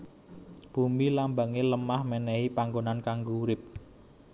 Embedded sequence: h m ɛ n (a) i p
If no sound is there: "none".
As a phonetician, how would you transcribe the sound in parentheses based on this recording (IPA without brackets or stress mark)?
ɛ